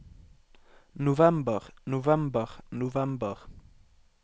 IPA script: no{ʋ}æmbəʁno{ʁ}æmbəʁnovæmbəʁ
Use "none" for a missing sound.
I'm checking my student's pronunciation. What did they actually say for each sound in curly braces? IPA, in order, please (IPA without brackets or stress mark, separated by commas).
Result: v, v